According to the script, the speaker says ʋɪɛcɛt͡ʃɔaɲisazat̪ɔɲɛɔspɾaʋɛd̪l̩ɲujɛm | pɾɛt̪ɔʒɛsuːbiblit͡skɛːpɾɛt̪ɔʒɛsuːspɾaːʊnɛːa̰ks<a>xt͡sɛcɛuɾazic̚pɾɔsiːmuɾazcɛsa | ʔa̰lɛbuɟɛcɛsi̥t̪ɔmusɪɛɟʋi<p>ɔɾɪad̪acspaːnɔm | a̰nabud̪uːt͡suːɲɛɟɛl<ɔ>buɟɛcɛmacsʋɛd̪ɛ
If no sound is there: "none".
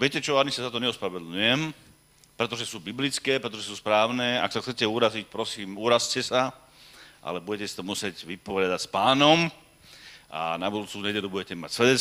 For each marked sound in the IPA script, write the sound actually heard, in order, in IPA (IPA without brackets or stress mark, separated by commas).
a, p, u